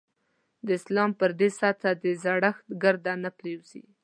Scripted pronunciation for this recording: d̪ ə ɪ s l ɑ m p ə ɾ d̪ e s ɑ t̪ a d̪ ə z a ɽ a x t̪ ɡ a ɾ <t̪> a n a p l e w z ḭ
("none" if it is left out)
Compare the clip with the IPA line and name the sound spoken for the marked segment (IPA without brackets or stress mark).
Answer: d̪